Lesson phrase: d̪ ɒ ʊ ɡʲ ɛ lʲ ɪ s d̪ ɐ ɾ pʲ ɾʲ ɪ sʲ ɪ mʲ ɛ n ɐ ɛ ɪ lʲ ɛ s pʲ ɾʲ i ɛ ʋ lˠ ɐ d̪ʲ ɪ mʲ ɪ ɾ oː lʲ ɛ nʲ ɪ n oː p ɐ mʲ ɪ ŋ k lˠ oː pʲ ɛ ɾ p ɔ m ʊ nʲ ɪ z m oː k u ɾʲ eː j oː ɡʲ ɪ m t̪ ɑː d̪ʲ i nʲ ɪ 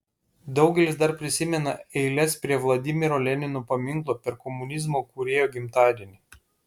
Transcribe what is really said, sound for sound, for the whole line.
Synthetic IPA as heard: d̪ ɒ ʊ ɡʲ ɛ lʲ ɪ s d̪ ɐ ɾ pʲ ɾʲ ɪ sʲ ɪ mʲ ɛ n ɐ ɛ ɪ lʲ ɛ s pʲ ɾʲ i ɛ ʋ lˠ ɐ d̪ʲ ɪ mʲ ɪ ɾ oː lʲ ɛ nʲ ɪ n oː p ɐ mʲ ɪ ŋ k lˠ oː pʲ ɛ ɾ k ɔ m ʊ nʲ ɪ z m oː k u ɾʲ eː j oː ɡʲ ɪ m t̪ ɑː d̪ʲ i nʲ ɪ

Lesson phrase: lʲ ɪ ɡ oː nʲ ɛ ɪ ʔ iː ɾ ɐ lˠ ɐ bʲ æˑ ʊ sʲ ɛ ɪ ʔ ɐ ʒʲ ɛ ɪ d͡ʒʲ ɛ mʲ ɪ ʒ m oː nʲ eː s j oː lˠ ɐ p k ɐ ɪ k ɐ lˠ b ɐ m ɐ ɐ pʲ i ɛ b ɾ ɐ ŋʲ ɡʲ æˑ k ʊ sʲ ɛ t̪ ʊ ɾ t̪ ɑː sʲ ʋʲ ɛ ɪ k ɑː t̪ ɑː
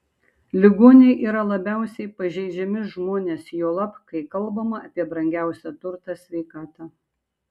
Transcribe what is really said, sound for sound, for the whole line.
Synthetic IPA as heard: lʲ ɪ ɡ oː nʲ ɛ ɪ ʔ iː ɾ ɐ lˠ ɐ bʲ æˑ ʊ sʲ ɛ ɪ p ɐ ʒʲ ɛ ɪ d͡ʒʲ ɛ mʲ ɪ ʒ m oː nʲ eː s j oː lˠ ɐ p k ɐ ɪ k ɐ lˠ b ɐ m ɐ ɐ pʲ i ɛ b ɾ ɐ ŋʲ ɡʲ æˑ ʊ sʲ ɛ t̪ ʊ ɾ t̪ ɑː sʲ ʋʲ ɛ ɪ k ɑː t̪ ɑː

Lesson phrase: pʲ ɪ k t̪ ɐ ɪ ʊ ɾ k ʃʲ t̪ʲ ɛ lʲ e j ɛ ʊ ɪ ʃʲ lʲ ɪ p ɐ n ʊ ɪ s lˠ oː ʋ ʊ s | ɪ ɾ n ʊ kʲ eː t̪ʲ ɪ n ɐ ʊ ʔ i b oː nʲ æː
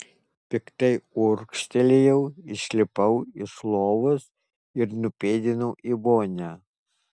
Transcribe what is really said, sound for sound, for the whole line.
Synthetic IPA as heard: pʲ ɪ k t̪ ɐ ɪ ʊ ɾ k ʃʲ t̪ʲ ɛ lʲ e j ɛ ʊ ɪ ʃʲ lʲ ɪ p ɐ ʊ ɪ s lˠ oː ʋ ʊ s | ɪ ɾ n ʊ pʲ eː d̪ʲ ɪ n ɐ ʊ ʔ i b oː nʲ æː

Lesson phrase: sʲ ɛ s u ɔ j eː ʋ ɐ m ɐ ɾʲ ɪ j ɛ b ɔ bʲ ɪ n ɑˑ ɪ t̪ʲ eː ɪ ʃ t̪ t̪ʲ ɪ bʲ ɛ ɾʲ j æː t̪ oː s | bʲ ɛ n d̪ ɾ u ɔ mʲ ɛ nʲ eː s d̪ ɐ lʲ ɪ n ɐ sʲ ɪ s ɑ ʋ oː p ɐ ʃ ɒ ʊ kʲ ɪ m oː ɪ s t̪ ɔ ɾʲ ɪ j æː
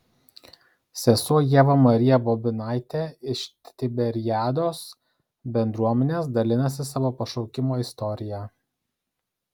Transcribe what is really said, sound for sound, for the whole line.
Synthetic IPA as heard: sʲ ɛ s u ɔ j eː ʋ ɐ m ɐ ɾʲ ɪ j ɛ b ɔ bʲ ɪ n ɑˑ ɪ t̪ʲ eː ɪ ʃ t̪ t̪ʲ ɪ bʲ ɛ ɾʲ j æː d̪ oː s | bʲ ɛ n d̪ ɾ u ɔ mʲ ɛ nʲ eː s d̪ ɐ lʲ ɪ n ɐ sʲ ɪ s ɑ ʋ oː p ɐ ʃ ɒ ʊ kʲ ɪ m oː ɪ s t̪ ɔ ɾʲ ɪ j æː

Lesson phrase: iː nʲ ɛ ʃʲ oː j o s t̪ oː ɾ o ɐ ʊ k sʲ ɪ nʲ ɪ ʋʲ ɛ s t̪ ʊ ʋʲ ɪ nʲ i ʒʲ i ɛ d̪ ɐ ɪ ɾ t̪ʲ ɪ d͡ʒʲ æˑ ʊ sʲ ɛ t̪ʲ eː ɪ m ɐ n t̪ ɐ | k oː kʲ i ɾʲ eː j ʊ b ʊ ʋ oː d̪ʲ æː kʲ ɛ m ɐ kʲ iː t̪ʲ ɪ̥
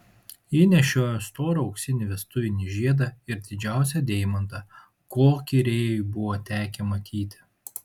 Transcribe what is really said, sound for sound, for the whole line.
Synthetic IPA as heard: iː nʲ ɛ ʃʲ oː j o s t̪ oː ɾ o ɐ ʊ k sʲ ɪ nʲ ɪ ʋʲ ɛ s t̪ ʊ ʋʲ ɪ nʲ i ʒʲ i ɛ d̪ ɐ ɪ ɾ d̪ʲ ɪ d͡ʒʲ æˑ ʊ sʲ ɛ d̪ʲ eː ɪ m ɐ n t̪ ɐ | k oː kʲ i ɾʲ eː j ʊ b ʊ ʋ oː t̪ʲ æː kʲ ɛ m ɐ kʲ iː t̪ʲ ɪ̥

